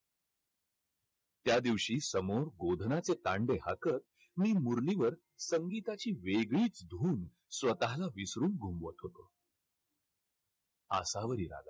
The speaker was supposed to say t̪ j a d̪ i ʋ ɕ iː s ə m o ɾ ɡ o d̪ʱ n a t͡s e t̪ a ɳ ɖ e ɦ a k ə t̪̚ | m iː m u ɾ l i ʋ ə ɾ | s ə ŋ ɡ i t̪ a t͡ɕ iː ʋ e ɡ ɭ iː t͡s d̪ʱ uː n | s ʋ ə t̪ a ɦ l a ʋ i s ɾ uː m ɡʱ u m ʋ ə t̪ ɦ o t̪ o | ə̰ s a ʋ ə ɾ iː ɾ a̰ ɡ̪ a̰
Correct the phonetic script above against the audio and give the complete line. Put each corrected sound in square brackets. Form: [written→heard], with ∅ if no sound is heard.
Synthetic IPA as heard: t̪ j a d̪ i ʋ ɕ iː s ə m o ɾ ɡ o d̪ʱ n a t͡s e t̪ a ɳ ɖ e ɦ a k ə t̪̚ | m iː m u ɾ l i ʋ ə ɾ | s ə ŋ ɡ i t̪ a t͡ɕ iː ʋ e ɡ ɭ iː t͡s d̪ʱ uː n | s ʋ ə t̪ a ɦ l a ʋ i s ɾ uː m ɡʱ u m ʋ ə t̪ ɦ o t̪ o | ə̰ s a ʋ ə ɾ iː ɾ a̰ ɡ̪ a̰